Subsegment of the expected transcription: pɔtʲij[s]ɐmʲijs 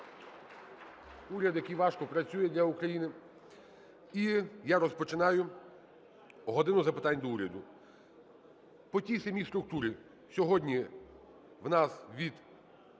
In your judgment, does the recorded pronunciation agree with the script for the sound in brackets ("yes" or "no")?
yes